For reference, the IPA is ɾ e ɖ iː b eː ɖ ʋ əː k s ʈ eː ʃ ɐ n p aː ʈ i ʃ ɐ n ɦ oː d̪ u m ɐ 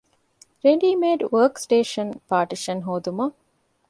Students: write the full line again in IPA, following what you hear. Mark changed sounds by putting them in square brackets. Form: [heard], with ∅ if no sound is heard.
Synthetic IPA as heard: ɾ e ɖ iː [m] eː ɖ ʋ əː k s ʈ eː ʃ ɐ n p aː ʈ i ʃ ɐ n ɦ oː d̪ u m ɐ